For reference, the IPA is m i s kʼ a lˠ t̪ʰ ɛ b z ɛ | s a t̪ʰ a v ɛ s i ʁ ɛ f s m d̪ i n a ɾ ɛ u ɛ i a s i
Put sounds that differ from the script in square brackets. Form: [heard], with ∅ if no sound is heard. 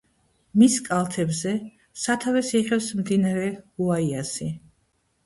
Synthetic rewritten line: m i s kʼ a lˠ t̪ʰ ɛ b z ɛ | s a t̪ʰ a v ɛ s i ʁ ɛ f s m d̪ i n a ɾ ɛ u [a] i a s i